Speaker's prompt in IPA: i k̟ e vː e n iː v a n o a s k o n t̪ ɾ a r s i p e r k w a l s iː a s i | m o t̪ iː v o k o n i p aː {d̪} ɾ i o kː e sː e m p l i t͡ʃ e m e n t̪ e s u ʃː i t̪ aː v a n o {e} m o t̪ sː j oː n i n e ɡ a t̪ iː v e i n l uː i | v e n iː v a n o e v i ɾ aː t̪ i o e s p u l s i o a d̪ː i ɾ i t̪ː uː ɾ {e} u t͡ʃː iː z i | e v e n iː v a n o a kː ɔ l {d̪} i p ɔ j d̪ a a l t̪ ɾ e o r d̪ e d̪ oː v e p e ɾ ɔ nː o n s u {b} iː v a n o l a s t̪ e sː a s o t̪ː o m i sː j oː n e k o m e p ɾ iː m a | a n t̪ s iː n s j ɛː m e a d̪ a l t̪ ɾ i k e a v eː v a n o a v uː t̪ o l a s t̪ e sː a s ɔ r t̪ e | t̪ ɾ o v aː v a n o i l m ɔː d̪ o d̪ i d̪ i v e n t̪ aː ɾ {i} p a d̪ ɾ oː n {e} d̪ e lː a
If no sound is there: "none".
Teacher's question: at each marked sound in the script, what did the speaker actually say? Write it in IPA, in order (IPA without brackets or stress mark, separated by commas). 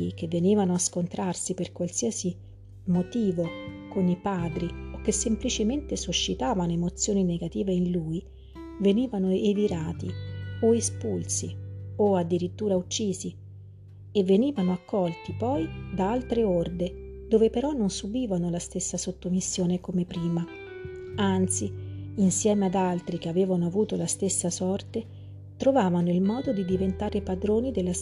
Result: d̪, e, a, t̪, b, e, i